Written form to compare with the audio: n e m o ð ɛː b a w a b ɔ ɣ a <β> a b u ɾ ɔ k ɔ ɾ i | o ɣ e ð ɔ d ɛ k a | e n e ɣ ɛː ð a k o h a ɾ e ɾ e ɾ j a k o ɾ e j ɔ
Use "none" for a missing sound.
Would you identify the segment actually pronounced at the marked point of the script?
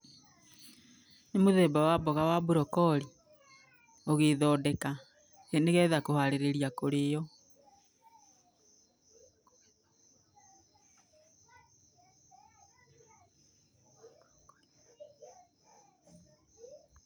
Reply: w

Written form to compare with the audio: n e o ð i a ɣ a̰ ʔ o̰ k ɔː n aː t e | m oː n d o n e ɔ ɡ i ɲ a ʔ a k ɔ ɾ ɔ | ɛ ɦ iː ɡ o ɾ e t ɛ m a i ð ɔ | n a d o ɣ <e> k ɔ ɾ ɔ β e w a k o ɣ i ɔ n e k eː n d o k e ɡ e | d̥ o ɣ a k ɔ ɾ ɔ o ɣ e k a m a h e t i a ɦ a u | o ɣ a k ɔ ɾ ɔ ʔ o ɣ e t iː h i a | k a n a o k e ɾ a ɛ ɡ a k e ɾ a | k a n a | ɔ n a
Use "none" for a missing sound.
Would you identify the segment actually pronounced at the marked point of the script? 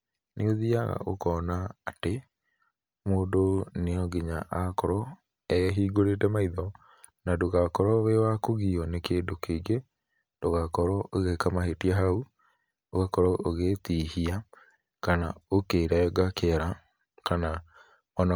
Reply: a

